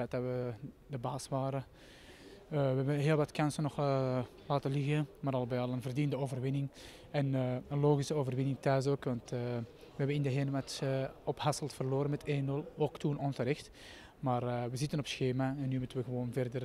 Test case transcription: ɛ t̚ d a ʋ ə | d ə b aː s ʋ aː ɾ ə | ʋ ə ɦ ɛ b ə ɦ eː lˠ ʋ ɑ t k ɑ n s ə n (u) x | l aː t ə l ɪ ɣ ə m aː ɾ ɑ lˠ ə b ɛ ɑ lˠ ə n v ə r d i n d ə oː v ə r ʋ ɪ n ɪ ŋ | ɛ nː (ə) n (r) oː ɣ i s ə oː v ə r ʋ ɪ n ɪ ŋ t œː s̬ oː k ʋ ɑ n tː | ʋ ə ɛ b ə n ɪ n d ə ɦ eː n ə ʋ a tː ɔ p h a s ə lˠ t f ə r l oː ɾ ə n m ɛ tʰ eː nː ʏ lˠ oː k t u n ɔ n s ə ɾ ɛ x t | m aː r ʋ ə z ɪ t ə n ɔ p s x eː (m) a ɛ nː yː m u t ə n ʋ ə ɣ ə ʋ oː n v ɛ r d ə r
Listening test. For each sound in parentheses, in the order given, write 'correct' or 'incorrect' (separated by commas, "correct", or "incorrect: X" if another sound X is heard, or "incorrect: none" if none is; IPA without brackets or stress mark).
incorrect: ɔ, correct, incorrect: l, correct